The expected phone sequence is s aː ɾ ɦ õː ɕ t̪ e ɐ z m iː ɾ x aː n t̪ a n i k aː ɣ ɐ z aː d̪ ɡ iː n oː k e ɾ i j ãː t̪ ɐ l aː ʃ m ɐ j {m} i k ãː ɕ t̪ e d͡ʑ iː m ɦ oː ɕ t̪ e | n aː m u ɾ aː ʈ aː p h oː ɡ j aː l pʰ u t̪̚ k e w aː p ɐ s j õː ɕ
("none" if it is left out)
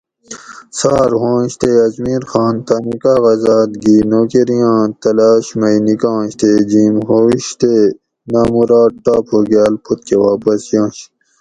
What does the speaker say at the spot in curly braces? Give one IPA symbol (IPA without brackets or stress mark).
n